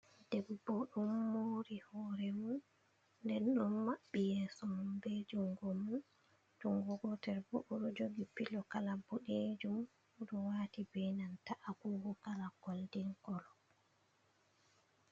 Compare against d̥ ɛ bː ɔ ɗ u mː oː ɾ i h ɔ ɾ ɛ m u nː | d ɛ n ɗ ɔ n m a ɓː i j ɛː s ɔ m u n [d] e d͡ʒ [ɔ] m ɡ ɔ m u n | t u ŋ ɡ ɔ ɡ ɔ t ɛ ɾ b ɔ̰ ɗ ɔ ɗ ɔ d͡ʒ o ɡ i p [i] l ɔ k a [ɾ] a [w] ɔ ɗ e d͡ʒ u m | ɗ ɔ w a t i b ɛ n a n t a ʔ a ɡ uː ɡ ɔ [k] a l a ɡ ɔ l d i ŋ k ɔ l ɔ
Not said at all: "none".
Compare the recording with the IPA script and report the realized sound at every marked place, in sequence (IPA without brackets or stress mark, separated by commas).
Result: b, u, i, l, b, k